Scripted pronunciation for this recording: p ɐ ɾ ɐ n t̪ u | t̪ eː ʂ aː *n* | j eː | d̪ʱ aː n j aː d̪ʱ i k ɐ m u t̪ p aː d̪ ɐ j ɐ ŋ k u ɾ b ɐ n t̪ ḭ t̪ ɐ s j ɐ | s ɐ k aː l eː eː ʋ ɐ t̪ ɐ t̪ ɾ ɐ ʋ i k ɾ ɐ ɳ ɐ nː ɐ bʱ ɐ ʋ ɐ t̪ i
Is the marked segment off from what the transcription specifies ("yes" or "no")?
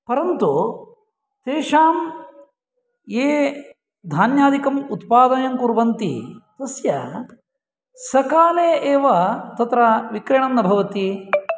yes